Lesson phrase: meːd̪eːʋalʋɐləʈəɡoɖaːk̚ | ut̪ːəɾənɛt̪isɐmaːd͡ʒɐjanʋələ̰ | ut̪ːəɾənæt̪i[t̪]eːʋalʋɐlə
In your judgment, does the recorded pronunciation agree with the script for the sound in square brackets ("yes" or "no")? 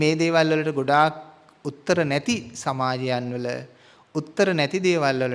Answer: no